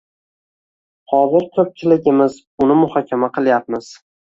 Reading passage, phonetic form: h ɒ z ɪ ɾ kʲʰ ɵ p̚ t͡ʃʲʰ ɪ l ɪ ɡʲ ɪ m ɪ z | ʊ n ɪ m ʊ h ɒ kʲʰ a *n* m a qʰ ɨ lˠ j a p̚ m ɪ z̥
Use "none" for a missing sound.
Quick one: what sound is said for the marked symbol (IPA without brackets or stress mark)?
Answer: none